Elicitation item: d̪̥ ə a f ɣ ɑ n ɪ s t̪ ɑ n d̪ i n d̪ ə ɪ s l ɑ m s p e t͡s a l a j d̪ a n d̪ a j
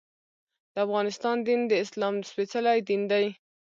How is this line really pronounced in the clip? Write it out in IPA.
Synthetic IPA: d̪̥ ə a f ɣ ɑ n ɪ s t̪ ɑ n d̪ i n d̪ ə ɪ s l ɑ m s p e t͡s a l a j d̪ i n d̪ a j

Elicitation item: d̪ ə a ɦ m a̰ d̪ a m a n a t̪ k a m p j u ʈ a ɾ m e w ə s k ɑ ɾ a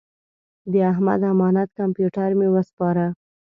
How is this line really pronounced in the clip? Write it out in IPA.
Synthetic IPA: d̪ ə a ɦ m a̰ d̪ a m ɑ n a t̪ k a m p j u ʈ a ɾ m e w ə s p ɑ ɾ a

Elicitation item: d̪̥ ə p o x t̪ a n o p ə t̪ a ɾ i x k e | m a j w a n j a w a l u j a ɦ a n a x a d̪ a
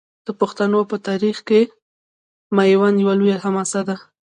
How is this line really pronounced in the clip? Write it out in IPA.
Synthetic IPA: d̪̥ ə p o x t̪ a n o p ə t̪ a ɾ i x k e | m a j w a n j a w a l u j a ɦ a m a s a d̪ a

